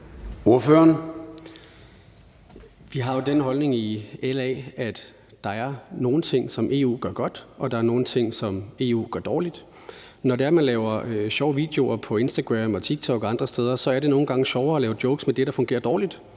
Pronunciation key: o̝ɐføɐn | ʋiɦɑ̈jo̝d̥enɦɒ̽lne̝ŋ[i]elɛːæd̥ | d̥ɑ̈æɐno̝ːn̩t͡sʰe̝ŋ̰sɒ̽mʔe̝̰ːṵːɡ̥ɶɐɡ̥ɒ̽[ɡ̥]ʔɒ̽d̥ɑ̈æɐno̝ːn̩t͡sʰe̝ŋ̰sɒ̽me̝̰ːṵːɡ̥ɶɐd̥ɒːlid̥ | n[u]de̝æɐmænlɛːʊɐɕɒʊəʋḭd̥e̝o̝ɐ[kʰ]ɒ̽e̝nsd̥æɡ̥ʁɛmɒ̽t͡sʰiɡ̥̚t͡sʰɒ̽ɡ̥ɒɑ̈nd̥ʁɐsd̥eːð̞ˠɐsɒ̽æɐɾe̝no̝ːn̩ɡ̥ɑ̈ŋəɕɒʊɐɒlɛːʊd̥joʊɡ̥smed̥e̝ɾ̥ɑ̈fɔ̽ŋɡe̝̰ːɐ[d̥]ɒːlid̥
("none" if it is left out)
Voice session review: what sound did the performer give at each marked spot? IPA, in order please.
i, d̥, ɒ, pʰ, d̥

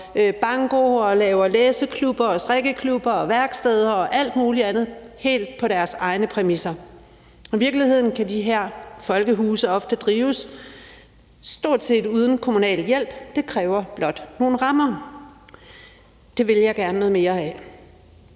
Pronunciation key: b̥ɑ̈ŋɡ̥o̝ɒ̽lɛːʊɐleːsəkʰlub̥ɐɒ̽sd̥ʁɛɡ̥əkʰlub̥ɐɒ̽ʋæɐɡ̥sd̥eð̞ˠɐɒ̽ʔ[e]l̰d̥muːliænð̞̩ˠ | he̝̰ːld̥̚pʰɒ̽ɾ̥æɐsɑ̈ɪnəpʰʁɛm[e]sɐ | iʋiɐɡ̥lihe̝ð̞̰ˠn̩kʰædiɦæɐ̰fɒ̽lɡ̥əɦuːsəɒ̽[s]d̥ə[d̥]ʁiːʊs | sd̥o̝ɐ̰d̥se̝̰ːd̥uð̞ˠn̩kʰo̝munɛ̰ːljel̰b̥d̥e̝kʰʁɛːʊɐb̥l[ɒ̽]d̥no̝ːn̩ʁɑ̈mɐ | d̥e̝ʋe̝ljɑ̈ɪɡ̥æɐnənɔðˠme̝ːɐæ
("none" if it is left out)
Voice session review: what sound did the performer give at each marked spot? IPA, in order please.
æ, i, f, d̥, ɒ̽

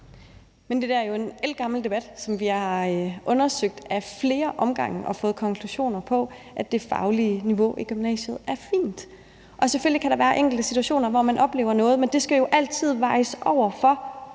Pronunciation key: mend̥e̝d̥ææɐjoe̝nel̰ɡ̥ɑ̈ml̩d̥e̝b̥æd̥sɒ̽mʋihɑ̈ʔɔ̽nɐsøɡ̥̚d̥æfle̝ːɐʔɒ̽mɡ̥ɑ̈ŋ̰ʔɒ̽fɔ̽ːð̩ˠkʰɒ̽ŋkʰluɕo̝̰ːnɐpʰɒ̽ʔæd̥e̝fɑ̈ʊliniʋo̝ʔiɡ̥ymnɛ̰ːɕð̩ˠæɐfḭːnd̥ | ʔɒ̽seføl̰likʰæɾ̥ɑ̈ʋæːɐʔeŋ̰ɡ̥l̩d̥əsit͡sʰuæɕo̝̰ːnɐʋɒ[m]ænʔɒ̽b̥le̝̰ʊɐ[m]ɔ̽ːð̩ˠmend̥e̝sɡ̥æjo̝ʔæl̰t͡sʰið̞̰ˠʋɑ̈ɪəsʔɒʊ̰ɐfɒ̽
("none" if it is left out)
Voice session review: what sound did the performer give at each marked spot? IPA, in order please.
m, n

